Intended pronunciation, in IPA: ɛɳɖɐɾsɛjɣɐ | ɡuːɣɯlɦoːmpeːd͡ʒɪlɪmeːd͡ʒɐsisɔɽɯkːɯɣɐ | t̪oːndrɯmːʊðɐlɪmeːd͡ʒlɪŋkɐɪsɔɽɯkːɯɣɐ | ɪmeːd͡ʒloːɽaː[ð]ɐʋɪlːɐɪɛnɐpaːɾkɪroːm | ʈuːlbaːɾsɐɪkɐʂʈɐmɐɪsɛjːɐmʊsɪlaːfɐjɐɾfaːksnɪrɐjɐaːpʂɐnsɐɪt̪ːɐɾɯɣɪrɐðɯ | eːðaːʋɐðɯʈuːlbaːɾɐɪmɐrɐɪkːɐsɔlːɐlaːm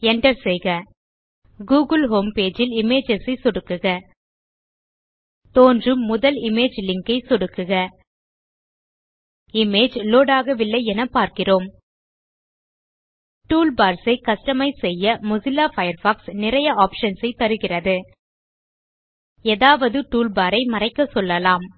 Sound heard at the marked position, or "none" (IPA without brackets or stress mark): ɣ